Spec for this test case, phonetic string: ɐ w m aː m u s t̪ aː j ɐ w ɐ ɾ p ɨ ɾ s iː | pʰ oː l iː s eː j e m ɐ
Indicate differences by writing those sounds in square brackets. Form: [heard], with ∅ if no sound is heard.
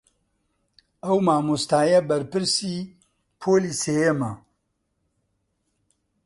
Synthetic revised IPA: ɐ w m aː m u s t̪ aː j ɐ [b] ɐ ɾ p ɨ ɾ s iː | pʰ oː l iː s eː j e m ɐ